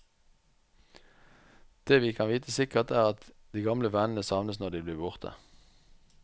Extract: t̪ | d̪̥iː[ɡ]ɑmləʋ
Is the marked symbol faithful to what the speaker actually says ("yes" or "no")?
yes